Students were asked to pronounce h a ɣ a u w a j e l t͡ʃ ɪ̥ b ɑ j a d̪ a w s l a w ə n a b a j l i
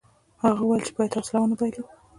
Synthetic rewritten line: h a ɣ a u w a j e l t͡ʃ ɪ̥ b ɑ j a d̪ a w s l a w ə n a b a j l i